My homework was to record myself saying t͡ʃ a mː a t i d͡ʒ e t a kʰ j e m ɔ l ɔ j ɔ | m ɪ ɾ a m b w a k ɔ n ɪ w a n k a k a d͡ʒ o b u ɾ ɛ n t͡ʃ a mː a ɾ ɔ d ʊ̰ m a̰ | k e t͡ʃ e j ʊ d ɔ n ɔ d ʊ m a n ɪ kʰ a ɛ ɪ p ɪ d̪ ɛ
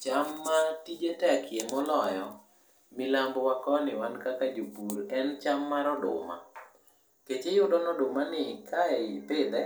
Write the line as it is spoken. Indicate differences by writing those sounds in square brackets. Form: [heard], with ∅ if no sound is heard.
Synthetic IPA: t͡ʃ a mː a t i d͡ʒ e t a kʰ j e m ɔ l ɔ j ɔ | m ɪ [l] a m b w a k ɔ n ɪ w a n k a k a d͡ʒ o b u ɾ ɛ n t͡ʃ a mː a ɾ ɔ d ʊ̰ m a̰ | k e t͡ʃ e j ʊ d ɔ n ɔ d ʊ m a n ɪ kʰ a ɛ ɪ p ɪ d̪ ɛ